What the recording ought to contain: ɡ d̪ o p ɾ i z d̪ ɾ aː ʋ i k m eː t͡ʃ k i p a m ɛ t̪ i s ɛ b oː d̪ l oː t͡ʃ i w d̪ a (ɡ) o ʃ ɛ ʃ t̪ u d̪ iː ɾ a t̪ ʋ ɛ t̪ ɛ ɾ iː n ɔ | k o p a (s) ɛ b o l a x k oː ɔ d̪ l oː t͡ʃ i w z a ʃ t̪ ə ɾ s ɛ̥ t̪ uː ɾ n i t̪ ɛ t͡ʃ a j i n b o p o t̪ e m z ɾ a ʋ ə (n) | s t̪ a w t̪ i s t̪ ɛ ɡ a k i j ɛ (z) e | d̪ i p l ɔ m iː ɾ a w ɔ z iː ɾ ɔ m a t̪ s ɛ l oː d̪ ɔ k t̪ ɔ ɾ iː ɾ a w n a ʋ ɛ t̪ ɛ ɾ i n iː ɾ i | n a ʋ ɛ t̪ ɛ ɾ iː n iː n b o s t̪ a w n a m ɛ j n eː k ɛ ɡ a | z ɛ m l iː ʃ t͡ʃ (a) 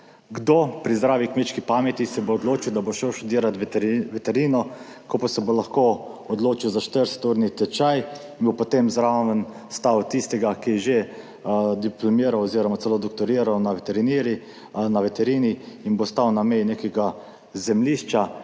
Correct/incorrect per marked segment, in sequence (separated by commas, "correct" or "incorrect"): incorrect, correct, correct, incorrect, correct